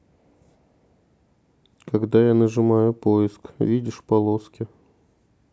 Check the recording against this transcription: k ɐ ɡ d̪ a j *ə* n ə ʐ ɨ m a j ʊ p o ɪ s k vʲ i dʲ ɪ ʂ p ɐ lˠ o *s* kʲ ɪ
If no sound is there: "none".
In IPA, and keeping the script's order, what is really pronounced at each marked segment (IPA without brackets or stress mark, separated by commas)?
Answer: a, s